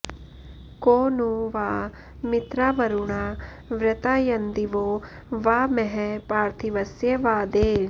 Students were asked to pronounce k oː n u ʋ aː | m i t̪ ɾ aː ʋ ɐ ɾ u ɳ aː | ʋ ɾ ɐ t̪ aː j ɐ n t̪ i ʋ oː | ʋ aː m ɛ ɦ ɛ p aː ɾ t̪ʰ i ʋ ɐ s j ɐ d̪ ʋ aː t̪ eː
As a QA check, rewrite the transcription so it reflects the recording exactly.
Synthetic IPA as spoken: k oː n u ʋ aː | m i t̪ ɾ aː ʋ ɐ ɾ u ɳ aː | ʋ ɾ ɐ t̪ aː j ɐ n d̪ i ʋ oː | ʋ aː m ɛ ɦ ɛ p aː ɾ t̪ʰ i ʋ ɐ s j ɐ ʋ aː d̪ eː